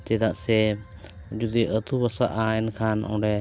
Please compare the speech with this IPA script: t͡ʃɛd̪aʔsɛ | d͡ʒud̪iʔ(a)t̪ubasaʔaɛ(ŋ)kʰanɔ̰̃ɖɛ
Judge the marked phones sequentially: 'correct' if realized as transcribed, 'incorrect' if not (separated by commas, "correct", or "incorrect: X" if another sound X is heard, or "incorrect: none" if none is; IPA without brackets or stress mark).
incorrect: ə, incorrect: n